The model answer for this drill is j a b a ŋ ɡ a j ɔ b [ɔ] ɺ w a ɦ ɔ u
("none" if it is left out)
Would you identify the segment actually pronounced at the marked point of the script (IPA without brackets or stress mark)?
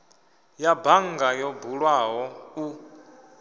u